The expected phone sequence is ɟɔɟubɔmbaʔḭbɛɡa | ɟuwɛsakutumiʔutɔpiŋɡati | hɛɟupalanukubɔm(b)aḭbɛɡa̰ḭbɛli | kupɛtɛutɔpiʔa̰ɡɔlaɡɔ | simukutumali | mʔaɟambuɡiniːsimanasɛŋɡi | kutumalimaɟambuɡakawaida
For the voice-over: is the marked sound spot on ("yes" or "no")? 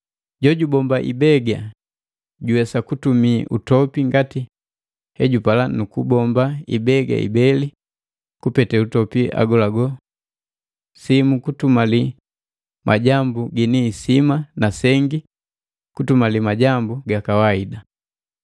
yes